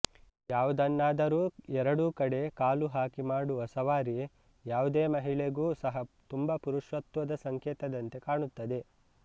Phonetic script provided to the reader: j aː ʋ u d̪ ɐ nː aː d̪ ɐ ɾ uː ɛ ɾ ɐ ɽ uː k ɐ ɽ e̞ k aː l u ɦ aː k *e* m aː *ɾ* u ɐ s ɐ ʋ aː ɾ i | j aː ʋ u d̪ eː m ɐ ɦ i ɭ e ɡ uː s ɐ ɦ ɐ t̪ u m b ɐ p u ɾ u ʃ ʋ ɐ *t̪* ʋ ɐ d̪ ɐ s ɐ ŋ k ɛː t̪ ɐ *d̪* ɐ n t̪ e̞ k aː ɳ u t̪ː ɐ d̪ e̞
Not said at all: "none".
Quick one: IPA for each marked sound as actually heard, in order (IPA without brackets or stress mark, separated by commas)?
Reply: i, ɽ, t̪, d̪